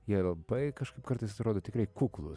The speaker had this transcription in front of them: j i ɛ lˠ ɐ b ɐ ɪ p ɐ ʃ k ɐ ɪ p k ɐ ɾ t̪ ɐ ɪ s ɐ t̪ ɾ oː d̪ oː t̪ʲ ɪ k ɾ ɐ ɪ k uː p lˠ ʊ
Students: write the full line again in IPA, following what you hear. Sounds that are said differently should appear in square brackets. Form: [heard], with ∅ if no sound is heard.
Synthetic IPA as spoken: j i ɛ lˠ ɐ b ɐ ɪ [k] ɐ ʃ k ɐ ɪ p k ɐ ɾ t̪ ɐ ɪ s ɐ t̪ ɾ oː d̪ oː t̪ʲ ɪ k ɾ ɐ ɪ k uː [k] lˠ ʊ